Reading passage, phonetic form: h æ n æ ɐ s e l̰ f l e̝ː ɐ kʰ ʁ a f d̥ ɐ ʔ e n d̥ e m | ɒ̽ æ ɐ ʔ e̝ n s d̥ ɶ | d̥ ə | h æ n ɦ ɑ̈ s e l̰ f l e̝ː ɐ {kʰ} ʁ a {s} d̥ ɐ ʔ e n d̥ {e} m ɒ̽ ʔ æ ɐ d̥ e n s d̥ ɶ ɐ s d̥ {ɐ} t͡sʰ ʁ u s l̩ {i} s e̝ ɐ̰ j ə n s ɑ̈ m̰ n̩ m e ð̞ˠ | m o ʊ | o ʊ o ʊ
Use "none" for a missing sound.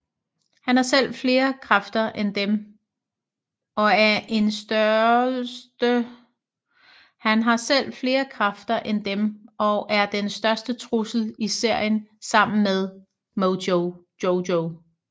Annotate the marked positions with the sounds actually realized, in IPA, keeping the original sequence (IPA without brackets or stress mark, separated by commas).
kʰ, f, e, ə, i